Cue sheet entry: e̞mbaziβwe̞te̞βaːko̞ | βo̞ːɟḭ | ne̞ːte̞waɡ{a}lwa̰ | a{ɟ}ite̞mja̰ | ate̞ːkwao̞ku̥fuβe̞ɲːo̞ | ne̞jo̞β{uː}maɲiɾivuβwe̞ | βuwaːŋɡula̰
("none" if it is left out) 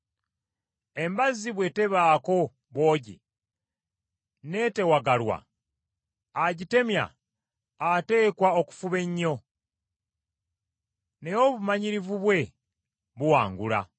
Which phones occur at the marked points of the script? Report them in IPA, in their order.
a, ɟ, u

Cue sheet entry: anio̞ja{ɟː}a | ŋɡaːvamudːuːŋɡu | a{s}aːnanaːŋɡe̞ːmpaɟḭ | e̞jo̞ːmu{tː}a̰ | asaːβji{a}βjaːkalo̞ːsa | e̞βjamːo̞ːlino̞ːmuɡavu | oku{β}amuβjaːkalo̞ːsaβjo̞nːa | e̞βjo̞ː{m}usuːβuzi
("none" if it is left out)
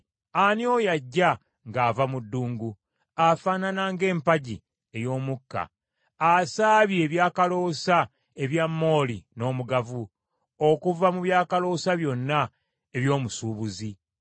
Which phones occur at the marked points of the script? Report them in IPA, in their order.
ɟː, f, kː, e, v, m

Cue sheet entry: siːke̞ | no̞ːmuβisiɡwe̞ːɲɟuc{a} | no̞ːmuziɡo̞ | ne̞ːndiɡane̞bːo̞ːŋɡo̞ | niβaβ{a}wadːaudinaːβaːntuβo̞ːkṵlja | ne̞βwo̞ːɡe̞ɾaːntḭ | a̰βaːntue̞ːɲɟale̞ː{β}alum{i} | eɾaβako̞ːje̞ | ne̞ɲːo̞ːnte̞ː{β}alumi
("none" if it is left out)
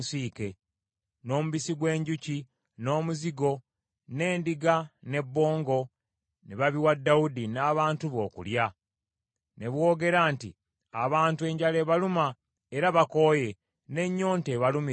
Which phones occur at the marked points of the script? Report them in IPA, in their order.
i, i, β, a, β

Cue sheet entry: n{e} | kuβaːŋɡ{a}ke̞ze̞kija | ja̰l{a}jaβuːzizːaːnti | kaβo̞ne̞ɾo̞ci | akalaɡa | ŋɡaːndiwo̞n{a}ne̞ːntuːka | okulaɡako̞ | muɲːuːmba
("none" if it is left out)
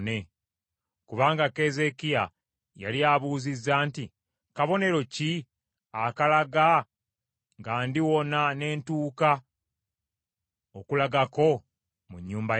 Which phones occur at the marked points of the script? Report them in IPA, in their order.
e, a, i, a

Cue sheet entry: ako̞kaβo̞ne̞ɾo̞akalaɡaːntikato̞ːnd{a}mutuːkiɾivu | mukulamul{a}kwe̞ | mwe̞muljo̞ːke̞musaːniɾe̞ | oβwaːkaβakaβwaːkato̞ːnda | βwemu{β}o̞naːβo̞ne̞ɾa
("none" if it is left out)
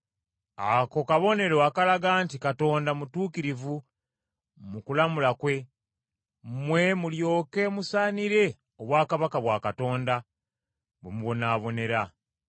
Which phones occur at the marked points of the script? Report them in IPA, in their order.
a, a, β

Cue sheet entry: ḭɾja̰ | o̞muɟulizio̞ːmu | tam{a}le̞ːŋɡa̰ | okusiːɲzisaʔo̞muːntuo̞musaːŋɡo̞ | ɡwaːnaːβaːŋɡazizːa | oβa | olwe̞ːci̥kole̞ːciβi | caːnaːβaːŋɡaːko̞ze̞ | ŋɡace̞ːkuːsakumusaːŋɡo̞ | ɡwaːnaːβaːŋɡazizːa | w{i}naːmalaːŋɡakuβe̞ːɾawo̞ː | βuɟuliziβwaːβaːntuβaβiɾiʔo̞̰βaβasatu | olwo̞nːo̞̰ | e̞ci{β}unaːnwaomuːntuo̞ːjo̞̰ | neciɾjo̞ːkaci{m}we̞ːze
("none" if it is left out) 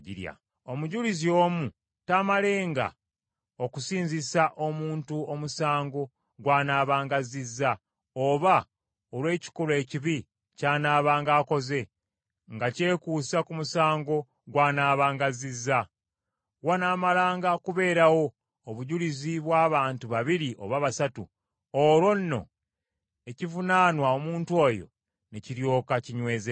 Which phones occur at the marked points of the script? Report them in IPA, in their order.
a, a, v, ɲ

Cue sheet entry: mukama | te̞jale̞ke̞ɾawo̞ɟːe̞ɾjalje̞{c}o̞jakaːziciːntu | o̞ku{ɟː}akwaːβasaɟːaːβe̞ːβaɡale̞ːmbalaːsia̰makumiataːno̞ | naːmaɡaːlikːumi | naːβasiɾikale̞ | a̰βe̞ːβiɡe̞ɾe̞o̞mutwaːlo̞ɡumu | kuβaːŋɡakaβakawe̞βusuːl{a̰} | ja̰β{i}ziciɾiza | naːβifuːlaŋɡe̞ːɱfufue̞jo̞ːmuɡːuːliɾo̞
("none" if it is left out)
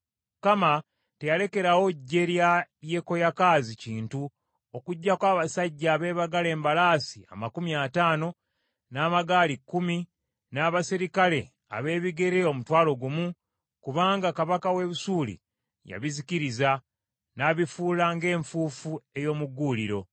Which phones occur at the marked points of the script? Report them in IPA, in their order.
k, ɟː, ḭ, i

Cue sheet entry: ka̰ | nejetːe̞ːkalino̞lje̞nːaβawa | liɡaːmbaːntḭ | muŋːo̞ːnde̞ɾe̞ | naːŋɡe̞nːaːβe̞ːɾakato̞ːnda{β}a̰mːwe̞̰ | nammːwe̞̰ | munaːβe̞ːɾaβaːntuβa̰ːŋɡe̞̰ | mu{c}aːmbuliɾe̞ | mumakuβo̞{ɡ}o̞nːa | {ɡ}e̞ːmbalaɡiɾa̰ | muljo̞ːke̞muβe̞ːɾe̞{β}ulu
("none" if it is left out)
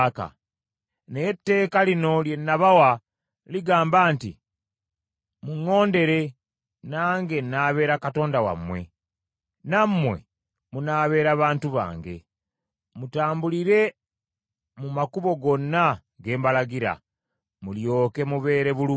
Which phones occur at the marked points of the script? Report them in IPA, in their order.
w, t, ɡ, ɡ, β

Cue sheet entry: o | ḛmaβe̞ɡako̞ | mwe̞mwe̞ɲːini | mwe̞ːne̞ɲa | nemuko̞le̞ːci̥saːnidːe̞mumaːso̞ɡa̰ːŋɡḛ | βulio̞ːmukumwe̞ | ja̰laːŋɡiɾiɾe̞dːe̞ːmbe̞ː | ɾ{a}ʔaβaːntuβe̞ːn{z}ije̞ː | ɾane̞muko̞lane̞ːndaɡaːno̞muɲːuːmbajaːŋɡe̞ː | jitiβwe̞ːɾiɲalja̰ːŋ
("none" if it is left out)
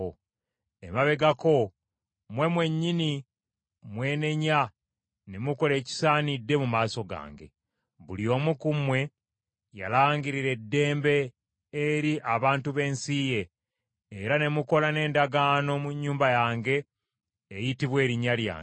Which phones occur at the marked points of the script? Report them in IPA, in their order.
i, s

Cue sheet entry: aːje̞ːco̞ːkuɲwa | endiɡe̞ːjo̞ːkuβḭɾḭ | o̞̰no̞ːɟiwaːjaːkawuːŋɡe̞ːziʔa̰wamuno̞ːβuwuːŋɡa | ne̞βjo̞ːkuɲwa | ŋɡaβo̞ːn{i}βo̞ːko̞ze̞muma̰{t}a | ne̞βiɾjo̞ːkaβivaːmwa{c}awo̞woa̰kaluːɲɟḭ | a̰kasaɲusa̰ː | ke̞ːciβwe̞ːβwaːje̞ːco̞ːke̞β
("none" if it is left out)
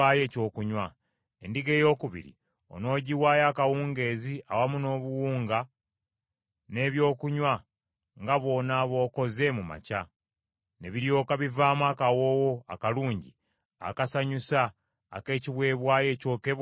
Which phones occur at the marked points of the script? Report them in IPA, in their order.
a, c, k

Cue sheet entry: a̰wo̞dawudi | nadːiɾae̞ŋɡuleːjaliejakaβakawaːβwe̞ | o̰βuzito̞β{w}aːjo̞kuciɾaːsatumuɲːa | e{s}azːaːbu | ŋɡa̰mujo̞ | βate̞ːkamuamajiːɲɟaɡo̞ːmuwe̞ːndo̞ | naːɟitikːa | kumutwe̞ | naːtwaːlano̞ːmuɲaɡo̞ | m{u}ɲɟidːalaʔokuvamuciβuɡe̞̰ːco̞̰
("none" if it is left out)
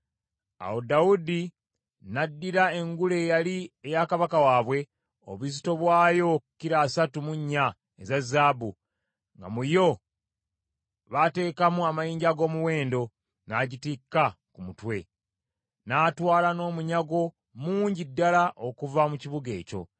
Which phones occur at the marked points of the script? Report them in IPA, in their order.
w, z, uː

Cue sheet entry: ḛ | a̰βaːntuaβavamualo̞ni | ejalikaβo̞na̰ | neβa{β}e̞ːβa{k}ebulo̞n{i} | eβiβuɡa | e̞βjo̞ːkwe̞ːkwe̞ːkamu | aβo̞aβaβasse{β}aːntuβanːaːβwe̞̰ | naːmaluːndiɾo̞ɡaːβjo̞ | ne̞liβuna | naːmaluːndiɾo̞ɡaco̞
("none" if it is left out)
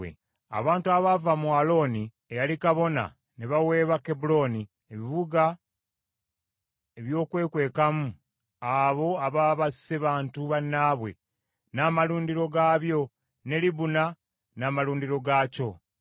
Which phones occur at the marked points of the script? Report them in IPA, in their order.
w, k, i, β

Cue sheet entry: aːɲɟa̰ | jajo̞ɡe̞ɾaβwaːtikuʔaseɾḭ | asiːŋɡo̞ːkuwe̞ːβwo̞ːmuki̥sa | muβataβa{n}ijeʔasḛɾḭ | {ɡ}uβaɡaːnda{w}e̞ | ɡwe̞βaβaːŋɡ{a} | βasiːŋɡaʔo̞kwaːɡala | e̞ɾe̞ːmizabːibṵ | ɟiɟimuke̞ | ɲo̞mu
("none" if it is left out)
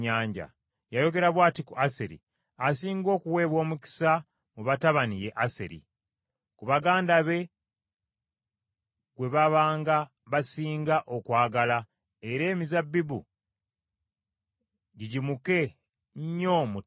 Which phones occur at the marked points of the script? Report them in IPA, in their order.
n, k, β, a

